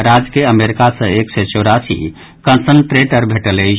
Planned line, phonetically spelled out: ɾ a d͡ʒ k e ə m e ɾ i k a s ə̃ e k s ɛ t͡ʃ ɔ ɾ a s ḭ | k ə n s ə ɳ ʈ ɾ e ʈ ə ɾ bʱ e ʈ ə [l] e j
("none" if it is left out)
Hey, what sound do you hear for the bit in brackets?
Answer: l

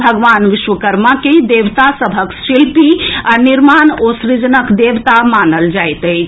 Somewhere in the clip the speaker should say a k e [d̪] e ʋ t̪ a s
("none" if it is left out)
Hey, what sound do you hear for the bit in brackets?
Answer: d̪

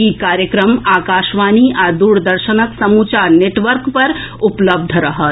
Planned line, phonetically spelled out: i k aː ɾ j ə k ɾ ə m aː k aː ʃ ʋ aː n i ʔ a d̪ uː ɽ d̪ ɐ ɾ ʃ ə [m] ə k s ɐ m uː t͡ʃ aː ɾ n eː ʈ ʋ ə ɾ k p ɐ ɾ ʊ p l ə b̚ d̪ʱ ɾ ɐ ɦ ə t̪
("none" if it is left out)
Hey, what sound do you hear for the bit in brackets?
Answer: n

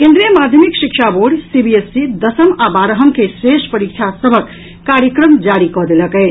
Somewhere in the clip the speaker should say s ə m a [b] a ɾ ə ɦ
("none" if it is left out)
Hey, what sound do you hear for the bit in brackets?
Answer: b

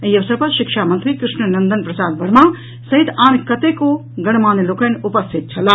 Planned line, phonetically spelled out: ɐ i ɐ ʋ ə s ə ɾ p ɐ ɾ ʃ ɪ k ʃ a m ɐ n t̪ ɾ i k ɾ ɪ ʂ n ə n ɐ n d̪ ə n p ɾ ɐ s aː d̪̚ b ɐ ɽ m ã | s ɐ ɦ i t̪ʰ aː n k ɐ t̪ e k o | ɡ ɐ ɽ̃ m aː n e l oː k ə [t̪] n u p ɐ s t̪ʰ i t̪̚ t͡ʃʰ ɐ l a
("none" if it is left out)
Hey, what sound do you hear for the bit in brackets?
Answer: none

